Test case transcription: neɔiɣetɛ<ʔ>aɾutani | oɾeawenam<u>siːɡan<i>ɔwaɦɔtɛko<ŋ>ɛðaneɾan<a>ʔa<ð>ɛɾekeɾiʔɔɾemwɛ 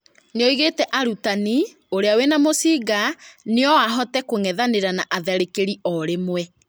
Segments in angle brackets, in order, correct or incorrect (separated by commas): correct, incorrect, incorrect, correct, correct, correct